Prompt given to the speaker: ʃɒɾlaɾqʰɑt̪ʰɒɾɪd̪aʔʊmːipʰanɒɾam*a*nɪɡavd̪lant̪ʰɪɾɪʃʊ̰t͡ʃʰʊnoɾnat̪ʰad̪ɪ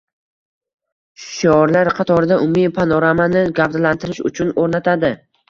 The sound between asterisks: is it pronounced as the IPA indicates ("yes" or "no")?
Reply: yes